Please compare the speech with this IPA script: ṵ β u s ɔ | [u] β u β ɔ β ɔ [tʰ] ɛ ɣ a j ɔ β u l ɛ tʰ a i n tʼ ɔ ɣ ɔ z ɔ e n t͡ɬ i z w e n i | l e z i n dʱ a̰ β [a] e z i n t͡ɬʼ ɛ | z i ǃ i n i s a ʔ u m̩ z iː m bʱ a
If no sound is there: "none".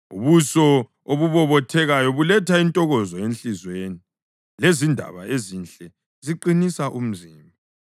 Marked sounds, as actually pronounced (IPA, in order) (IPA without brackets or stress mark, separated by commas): o, tʰ, a